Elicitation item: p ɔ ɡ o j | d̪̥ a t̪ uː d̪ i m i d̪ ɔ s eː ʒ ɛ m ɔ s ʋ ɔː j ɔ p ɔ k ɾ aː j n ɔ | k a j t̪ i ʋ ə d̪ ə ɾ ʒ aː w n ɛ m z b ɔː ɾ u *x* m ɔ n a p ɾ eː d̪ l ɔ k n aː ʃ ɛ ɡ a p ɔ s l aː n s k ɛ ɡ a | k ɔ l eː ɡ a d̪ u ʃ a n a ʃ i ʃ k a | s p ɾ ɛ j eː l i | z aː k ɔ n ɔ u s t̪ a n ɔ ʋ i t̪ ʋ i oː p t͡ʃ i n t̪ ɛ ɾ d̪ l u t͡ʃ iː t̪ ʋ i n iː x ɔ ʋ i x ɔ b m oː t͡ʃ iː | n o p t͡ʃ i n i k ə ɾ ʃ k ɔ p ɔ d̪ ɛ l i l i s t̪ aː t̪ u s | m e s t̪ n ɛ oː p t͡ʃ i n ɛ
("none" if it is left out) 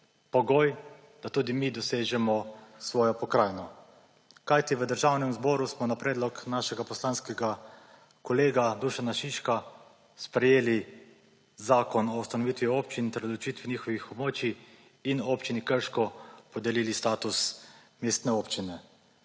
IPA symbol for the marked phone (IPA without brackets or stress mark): s